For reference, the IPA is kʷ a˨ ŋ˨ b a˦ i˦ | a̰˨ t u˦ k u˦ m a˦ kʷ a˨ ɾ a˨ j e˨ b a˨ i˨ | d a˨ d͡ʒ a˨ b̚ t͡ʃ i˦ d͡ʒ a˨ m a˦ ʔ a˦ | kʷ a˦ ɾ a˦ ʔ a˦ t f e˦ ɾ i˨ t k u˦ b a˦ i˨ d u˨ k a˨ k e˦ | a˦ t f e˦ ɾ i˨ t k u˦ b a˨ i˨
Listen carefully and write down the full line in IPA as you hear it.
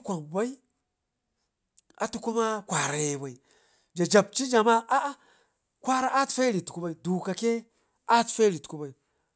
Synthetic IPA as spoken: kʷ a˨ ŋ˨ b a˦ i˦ | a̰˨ t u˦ k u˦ m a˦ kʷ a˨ ɾ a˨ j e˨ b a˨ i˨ | d͡ʒ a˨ d͡ʒ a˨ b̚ t͡ʃ i˦ d͡ʒ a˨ m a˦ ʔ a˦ | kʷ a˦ ɾ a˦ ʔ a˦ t f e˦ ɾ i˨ t k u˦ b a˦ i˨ d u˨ k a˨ k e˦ | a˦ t f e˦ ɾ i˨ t k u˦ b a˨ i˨

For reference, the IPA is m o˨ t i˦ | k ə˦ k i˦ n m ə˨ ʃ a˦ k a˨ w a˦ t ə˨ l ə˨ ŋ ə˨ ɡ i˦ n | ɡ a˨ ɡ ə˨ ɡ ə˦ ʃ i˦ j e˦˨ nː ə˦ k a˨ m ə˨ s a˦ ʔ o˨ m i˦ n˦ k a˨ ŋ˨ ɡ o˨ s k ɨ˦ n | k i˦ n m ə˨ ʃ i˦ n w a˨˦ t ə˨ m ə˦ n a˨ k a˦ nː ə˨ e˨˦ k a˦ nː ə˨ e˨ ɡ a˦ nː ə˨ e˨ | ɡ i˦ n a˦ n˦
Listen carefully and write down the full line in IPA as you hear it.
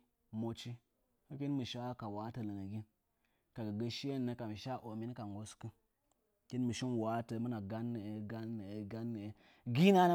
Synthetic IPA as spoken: m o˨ t͡ʃ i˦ | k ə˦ k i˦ n m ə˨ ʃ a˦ k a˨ w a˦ t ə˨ l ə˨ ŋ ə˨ ɡ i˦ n | k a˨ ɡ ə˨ ɡ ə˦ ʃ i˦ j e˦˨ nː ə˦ k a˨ m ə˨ ʃ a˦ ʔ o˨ m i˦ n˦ k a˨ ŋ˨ ɡ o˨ s k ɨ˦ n | k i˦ n m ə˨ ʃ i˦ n w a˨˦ t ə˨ m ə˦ n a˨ ɡ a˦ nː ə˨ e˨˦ ɡ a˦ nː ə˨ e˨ ɡ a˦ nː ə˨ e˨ | ɡ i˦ n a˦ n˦

